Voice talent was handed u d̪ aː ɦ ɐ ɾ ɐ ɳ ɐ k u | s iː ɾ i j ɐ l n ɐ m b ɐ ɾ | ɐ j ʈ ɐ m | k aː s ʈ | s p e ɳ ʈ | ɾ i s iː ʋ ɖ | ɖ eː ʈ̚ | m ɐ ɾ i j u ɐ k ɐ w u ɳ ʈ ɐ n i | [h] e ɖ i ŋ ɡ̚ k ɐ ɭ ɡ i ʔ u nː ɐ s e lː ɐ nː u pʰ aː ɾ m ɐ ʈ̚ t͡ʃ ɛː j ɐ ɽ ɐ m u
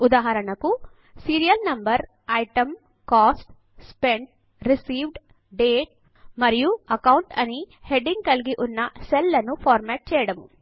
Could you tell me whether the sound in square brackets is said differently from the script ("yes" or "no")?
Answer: no